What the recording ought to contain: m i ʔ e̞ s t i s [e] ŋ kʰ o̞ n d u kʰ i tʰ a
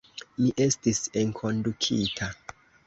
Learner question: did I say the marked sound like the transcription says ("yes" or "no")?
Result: yes